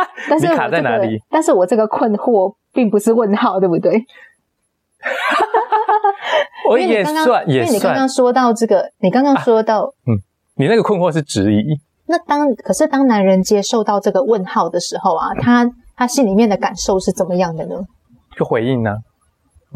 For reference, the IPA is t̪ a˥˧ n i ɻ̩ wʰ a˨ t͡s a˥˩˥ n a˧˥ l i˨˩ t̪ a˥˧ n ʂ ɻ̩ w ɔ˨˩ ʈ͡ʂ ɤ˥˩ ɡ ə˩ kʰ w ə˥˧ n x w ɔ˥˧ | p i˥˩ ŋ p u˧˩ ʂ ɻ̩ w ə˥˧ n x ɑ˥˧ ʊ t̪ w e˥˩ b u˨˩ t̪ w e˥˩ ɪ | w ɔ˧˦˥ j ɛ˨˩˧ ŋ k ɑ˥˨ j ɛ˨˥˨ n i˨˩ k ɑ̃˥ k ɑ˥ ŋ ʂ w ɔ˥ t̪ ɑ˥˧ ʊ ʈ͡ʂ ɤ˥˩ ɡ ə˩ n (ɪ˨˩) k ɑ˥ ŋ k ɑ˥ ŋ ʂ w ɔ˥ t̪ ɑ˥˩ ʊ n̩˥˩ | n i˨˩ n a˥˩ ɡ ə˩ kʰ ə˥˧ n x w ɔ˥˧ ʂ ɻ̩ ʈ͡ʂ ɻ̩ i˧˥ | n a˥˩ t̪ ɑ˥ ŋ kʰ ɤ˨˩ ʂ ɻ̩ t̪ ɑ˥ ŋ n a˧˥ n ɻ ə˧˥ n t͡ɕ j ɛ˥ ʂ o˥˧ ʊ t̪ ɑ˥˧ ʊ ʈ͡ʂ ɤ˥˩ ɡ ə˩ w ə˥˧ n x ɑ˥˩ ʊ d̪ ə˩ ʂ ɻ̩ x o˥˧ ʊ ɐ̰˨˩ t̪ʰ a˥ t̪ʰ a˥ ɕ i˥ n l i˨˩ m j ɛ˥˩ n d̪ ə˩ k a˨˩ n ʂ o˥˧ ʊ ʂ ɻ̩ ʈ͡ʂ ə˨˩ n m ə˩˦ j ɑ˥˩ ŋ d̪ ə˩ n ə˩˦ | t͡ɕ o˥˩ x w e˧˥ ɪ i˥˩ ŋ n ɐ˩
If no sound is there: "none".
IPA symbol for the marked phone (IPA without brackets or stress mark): i˨˩